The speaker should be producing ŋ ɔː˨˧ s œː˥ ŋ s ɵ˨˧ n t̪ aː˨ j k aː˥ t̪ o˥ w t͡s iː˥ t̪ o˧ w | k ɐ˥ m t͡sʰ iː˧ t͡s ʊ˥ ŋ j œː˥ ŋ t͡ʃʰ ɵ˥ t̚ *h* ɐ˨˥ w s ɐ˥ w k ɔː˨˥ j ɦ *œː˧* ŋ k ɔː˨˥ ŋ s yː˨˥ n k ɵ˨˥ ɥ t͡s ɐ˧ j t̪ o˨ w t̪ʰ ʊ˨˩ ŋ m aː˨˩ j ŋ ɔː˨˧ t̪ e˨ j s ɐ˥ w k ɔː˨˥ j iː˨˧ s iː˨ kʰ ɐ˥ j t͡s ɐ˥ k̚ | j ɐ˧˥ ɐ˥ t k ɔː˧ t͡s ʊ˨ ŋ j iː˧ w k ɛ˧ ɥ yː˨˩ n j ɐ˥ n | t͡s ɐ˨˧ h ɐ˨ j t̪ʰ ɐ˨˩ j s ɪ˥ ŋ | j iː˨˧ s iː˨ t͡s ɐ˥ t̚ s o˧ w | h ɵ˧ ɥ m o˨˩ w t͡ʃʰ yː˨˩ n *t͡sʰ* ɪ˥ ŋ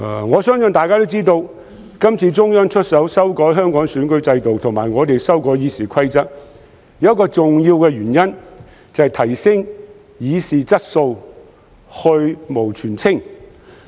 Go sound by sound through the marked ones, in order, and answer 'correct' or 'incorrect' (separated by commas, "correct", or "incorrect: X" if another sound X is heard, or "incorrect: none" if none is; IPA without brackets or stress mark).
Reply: incorrect: s, incorrect: œː˥, correct